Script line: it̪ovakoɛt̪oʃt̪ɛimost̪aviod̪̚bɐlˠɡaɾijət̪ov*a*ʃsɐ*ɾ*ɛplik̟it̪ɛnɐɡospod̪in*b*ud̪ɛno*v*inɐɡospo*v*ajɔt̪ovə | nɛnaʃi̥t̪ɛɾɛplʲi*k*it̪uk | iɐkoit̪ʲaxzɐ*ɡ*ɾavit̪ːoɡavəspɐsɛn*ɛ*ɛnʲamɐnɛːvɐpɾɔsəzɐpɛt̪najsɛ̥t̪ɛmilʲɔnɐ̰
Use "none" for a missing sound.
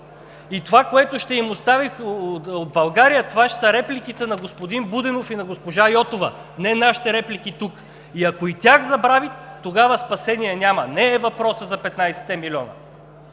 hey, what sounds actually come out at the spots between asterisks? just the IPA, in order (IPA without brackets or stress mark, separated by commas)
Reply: a, ɾ, b, f, ʒ, k, b, i